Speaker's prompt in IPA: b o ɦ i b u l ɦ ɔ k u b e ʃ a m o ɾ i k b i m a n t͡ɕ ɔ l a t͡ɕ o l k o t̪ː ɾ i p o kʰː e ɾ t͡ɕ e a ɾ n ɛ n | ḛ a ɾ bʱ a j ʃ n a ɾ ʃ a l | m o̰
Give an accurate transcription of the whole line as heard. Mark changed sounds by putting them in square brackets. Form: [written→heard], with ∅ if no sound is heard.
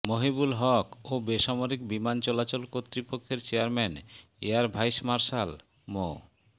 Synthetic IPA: [b→m] o ɦ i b u l ɦ ɔ k [u→o] b e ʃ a m o ɾ i k b i m a n t͡ɕ ɔ l a t͡ɕ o l k o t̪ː ɾ i p o kʰː e ɾ t͡ɕ e a ɾ [n→m] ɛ n | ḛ a ɾ bʱ a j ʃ [n→m] a ɾ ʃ a l | m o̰

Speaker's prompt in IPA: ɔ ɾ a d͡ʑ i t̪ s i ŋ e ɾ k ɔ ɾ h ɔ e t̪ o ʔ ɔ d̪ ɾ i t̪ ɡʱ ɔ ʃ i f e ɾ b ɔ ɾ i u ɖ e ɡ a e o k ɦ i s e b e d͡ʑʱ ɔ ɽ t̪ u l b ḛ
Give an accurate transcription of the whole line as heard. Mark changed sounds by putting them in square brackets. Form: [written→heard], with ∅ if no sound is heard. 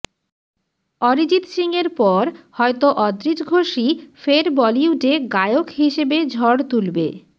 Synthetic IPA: ɔ ɾ [a→i] d͡ʑ i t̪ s i ŋ e ɾ [k→p] ɔ ɾ h ɔ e t̪ o ʔ ɔ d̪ ɾ i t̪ ɡʱ [ɔ→o] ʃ i f e ɾ b ɔ [ɾ→l] i u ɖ e ɡ a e o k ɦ i [s→ʃ] e b e d͡ʑʱ ɔ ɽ t̪ u l b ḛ

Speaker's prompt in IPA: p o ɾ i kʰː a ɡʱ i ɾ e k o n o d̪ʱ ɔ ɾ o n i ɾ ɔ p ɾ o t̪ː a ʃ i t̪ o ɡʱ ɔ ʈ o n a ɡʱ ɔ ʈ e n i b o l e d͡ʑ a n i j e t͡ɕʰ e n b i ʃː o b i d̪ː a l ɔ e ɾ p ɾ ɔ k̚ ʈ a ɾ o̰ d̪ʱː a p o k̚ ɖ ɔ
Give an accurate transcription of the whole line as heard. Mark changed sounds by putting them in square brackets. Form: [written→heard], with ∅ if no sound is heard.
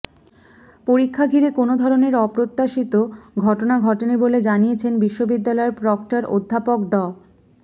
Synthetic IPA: p o ɾ i kʰː a ɡʱ i ɾ e k o n o d̪ʱ ɔ ɾ o n [i→e] ɾ ɔ p ɾ o t̪ː a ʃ i t̪ o ɡʱ ɔ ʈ o n a ɡʱ ɔ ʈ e n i b o l e d͡ʑ a n i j e t͡ɕʰ e n b i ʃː o b i d̪ː a l ɔ e ɾ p ɾ ɔ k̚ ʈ a ɾ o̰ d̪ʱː a p o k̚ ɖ ɔ

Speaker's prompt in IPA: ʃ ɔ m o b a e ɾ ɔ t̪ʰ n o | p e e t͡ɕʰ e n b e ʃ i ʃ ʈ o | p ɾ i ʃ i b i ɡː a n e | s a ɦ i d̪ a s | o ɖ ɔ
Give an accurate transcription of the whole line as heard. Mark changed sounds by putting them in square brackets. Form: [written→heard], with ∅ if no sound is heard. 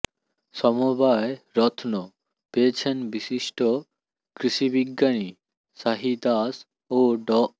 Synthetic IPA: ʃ ɔ m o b a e ɾ ɔ t̪ʰ n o | p e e t͡ɕʰ e n b [e→i] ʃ i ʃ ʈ o | [p→k] ɾ i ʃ i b i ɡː a n [e→i] | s a ɦ i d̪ a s | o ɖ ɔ

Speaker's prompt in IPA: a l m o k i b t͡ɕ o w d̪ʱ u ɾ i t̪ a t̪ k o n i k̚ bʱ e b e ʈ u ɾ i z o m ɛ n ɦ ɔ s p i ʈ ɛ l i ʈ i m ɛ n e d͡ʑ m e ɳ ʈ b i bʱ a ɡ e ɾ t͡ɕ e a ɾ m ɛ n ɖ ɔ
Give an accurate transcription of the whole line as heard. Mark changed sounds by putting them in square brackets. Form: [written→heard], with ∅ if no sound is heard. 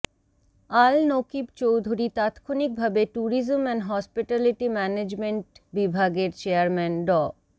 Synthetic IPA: a l [m→n] o k i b t͡ɕ o w d̪ʱ u ɾ i t̪ a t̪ [k→kʰ] o n i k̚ bʱ [e→a] b e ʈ u ɾ i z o m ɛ n ɦ ɔ s p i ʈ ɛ l i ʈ i m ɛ n e d͡ʑ m e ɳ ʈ b i bʱ a ɡ e ɾ t͡ɕ e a ɾ m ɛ n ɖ ɔ

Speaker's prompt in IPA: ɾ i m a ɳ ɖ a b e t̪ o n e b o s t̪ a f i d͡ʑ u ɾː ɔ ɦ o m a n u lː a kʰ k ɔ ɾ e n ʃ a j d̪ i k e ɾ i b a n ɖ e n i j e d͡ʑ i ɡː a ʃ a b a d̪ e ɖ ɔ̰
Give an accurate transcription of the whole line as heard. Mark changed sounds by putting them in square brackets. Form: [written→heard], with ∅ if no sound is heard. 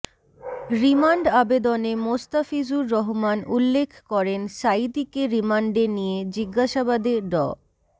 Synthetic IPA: ɾ i m a ɳ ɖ a b e [t̪→d̪] o n e [b→m] o s t̪ a f i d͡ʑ u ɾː ɔ ɦ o m a n u lː [a→e] kʰ k ɔ ɾ e n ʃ a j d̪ i k e ɾ i [b→m] a [n→ɳ] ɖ e n i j e d͡ʑ i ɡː a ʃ a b a d̪ e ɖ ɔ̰

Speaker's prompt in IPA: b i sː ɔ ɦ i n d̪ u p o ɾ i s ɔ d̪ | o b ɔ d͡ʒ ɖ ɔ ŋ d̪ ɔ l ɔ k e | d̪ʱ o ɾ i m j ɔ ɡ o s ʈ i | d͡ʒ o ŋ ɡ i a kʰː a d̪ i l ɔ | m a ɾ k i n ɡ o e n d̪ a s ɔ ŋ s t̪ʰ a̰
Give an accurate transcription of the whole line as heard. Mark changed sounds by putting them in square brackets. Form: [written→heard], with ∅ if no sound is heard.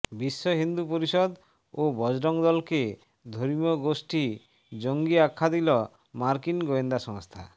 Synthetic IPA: b i sː ɔ ɦ i n d̪ u p o ɾ i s ɔ d̪ | o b ɔ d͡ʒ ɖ ɔ ŋ d̪ ɔ l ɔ k e | d̪ʱ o ɾ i m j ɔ ɡ o s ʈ i | d͡ʒ o ŋ ɡ i a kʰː a d̪ i l ɔ | m a ɾ k i n ɡ o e n d̪ a s ɔ ŋ s t̪ʰ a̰

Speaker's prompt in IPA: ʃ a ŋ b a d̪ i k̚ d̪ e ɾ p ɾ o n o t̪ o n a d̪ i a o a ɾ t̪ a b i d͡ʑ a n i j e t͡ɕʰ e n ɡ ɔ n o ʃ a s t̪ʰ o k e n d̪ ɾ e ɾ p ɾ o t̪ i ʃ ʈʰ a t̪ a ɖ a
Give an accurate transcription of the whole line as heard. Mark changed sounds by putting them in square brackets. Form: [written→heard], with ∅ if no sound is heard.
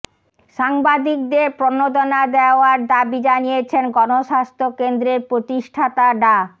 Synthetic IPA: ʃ a ŋ b a d̪ i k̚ d̪ e ɾ p ɾ o n o [t̪→d̪] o n a d̪ [i→e] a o a ɾ [t̪→d̪] a b i d͡ʑ a n i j e t͡ɕʰ e n ɡ ɔ n o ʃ a s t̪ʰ o k e n d̪ ɾ e ɾ p ɾ o t̪ i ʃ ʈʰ a t̪ a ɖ a

